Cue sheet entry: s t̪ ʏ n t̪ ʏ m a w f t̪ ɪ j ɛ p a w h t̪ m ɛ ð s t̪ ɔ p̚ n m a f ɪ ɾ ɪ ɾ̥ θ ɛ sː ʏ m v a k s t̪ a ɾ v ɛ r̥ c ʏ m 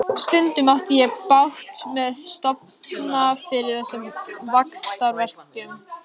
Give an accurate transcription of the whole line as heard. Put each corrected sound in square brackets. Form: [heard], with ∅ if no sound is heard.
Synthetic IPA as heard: s t̪ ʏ n t̪ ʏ m a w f t̪ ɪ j ɛ p a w h t̪ m ɛ ð s t̪ ɔ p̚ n [n] a f ɪ ɾ ɪ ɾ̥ θ ɛ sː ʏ m v a k s t̪ a ɾ v ɛ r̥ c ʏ m

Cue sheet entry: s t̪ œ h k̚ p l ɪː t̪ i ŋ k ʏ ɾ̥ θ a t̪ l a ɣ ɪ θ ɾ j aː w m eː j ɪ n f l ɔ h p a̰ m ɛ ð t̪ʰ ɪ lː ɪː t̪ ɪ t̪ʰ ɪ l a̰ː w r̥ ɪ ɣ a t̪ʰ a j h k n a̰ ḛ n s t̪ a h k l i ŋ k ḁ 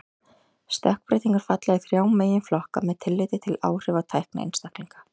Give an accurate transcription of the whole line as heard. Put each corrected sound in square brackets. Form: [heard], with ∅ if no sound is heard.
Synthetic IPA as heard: s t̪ œ h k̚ p [ɾ] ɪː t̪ i ŋ k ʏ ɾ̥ [f] a t̪ l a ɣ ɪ θ ɾ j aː w m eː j ɪ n f l ɔ h [k] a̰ m ɛ ð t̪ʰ ɪ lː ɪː t̪ ɪ t̪ʰ ɪ l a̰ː w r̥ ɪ [v] a t̪ʰ a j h k n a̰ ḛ n s t̪ a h k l i ŋ k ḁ

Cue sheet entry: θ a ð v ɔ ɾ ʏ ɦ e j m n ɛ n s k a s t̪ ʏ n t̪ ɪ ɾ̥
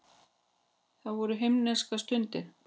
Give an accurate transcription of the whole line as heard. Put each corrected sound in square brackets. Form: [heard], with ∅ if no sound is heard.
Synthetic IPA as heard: θ a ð v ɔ ɾ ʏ ɦ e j m n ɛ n s k a s t̪ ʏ n t̪ ɪ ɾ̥

